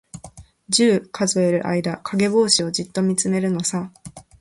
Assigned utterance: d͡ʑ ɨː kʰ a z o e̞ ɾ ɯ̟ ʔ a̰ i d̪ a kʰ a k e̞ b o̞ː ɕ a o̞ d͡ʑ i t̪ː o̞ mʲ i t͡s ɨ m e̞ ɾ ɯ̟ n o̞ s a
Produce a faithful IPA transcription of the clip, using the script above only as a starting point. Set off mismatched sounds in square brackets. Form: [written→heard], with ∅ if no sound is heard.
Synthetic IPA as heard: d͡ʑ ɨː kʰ a z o e̞ ɾ ɯ̟ ʔ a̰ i d̪ a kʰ a [k→ɡ] e̞ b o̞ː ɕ [a→i] o̞ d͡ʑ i t̪ː o̞ mʲ i t͡s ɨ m e̞ ɾ ɯ̟ n o̞ s a